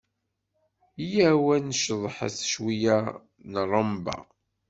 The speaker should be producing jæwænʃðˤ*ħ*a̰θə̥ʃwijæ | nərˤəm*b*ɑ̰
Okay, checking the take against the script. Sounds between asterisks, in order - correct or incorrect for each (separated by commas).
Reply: correct, correct